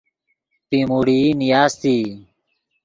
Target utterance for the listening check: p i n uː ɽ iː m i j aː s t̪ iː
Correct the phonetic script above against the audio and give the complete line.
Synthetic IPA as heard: p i m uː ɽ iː n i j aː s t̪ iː